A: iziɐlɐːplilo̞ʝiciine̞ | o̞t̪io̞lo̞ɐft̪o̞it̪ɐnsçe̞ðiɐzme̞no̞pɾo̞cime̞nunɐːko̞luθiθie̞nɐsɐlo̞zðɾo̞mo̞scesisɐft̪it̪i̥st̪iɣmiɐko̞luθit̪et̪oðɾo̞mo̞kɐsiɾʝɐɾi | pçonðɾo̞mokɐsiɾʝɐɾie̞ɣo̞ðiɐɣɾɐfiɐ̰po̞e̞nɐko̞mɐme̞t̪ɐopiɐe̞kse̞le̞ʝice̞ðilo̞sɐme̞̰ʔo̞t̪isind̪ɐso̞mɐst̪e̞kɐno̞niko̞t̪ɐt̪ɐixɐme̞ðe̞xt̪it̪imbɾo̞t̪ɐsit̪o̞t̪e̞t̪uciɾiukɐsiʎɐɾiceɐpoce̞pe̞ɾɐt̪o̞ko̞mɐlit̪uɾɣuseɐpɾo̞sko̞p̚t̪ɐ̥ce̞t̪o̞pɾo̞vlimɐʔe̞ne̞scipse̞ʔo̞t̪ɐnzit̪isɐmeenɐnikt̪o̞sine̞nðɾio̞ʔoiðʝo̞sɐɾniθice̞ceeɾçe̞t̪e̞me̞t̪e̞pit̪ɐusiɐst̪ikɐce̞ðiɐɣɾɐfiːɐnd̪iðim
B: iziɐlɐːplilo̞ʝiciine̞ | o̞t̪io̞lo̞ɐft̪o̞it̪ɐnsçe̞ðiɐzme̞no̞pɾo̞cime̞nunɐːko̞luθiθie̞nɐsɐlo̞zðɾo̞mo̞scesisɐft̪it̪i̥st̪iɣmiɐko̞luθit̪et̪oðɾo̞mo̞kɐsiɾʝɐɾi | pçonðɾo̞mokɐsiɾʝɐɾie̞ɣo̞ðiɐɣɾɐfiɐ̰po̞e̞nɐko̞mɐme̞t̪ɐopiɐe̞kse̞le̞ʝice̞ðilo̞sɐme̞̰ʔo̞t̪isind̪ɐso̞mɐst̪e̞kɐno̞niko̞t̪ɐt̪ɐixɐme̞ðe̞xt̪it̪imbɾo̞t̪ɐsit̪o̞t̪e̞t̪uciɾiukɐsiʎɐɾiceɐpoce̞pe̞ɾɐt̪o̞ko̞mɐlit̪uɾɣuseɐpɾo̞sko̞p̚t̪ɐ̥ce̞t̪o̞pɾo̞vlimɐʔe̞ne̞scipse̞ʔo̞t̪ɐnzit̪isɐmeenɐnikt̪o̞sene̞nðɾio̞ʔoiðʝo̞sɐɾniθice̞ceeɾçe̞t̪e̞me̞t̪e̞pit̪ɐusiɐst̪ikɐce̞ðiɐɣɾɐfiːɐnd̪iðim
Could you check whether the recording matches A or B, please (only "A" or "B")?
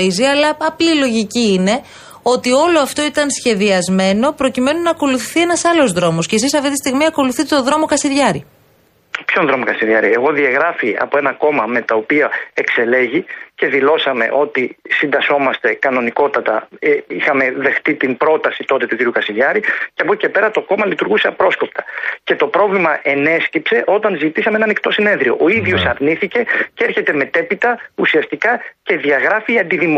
A